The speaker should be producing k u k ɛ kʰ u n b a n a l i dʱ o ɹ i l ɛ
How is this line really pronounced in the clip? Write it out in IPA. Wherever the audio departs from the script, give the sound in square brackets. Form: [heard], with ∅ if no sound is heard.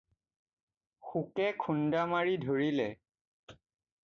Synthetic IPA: [x] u k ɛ kʰ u n [d] a [m] a [ɹ] i dʱ o ɹ i l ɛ